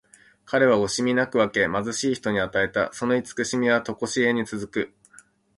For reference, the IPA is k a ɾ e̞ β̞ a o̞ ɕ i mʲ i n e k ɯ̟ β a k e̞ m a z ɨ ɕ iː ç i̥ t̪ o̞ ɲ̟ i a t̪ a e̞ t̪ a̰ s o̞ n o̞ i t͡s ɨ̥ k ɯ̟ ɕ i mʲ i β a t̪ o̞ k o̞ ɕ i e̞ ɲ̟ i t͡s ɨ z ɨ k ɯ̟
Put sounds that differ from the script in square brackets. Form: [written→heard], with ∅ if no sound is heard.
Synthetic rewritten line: k a ɾ e̞ β̞ a o̞ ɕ i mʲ i n [e→a] k ɯ̟ β a k e̞ m a z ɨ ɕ iː ç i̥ t̪ o̞ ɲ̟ i a t̪ a e̞ t̪ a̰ s o̞ n o̞ i t͡s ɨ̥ k ɯ̟ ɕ i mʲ i β a t̪ o̞ k o̞ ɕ i e̞ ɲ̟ i t͡s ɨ z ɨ k ɯ̟